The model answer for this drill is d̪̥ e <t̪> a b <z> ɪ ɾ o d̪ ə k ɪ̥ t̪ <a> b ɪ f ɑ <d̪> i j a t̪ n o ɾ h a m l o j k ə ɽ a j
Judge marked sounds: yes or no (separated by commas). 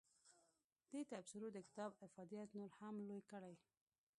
yes, no, no, yes